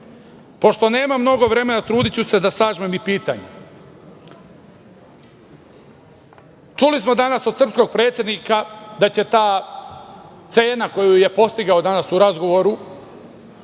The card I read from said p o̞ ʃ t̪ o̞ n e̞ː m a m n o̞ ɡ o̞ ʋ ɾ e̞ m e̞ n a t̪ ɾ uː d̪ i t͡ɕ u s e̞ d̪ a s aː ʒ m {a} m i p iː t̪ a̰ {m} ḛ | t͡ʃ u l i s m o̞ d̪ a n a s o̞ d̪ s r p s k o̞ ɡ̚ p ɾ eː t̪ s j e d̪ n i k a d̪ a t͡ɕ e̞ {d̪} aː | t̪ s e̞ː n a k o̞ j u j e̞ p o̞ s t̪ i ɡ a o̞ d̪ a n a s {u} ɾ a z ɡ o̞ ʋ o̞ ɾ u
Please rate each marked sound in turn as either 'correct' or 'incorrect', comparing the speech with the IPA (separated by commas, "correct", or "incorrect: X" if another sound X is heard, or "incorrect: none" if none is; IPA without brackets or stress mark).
incorrect: e, incorrect: ɲ, incorrect: t̪, correct